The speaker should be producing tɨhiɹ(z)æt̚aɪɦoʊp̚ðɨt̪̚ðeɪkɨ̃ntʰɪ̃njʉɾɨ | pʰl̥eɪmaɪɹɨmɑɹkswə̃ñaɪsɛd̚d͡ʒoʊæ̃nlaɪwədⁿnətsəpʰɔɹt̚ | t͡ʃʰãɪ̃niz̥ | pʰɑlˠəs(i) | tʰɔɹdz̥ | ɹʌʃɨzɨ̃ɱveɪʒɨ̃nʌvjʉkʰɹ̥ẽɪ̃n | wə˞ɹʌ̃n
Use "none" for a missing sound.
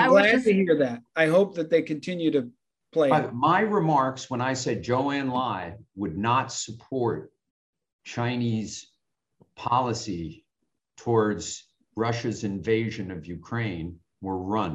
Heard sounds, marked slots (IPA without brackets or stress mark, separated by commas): ð, i